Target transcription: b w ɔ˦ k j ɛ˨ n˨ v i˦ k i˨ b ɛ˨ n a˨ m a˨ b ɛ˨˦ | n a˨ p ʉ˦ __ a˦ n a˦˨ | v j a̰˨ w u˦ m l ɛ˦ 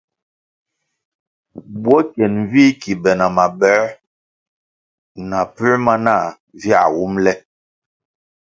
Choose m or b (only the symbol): m